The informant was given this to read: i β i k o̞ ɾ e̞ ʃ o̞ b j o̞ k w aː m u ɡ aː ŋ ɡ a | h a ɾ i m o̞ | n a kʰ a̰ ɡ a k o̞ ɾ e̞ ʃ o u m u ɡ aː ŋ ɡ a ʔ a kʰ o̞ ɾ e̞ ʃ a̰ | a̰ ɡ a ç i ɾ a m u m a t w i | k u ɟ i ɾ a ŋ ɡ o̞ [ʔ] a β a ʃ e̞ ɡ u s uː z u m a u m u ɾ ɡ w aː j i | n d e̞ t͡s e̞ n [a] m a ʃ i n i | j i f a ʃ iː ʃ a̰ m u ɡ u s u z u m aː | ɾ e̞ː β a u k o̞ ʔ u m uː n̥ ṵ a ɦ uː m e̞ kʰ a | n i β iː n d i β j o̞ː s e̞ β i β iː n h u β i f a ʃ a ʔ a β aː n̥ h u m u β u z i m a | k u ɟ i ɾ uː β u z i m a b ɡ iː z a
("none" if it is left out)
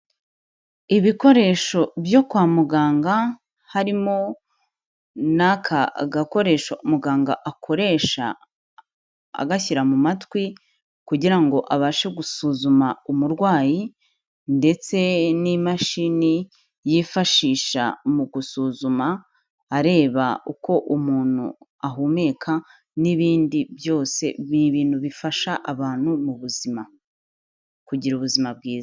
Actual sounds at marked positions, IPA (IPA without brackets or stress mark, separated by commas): ʔ, i